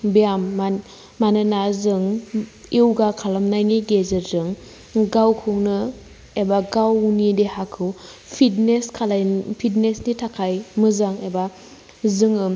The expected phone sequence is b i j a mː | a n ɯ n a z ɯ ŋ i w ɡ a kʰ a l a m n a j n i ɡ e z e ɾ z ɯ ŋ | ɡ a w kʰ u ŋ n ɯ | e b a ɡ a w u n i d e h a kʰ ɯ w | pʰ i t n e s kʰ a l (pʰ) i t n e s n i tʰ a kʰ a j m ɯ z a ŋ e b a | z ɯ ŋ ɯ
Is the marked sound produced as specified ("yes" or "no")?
yes